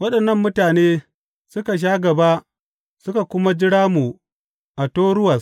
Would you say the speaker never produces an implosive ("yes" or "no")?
no